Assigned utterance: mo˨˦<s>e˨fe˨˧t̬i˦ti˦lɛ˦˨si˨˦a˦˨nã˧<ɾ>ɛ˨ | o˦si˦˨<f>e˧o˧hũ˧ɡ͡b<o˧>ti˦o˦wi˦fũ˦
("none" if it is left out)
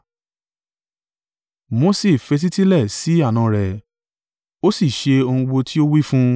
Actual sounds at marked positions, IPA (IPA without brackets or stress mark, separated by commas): s, ɾ, ʃ, o˧